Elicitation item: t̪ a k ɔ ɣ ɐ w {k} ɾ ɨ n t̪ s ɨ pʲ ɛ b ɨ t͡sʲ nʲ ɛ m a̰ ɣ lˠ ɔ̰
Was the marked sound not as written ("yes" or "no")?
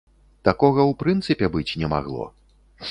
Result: yes